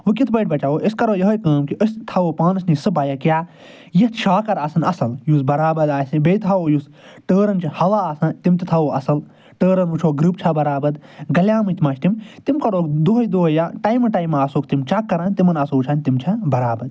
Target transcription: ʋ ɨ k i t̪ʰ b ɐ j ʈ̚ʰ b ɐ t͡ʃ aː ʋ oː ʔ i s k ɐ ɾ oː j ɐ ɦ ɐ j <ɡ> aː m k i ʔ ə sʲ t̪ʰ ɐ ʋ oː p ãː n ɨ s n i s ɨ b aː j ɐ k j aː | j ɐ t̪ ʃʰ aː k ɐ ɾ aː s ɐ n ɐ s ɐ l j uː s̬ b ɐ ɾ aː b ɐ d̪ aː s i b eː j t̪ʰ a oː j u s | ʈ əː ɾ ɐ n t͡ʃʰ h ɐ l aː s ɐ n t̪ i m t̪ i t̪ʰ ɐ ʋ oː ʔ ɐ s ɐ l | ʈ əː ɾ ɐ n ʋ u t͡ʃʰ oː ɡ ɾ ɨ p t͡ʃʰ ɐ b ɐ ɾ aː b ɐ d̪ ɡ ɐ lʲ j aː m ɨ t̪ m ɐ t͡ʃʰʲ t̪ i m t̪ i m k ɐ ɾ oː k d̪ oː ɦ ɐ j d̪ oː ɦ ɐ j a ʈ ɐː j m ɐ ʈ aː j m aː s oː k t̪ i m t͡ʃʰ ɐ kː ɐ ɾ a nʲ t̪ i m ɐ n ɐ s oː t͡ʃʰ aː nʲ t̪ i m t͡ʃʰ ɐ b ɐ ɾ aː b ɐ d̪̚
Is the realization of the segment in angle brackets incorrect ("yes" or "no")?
yes